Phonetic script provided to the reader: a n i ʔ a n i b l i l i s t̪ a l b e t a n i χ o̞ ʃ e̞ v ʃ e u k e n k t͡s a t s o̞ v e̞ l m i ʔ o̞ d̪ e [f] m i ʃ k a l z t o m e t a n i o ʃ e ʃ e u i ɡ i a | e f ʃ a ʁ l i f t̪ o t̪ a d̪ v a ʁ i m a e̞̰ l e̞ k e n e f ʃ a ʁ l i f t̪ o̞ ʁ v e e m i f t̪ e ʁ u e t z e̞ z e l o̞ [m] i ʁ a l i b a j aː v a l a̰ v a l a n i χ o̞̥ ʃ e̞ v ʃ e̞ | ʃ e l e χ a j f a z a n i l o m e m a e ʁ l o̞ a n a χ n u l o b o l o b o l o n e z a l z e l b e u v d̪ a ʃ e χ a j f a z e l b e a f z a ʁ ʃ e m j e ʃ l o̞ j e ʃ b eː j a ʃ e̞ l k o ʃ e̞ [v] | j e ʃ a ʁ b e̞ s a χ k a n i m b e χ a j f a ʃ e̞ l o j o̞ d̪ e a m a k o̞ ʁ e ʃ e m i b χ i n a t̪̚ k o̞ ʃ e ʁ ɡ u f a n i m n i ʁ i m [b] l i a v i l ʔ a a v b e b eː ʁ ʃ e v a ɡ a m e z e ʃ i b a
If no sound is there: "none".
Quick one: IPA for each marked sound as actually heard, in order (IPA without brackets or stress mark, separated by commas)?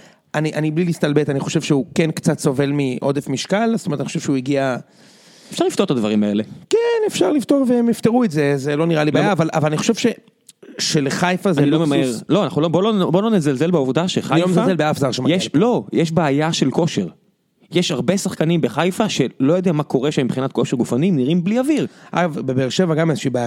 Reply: f, n, ʁ, b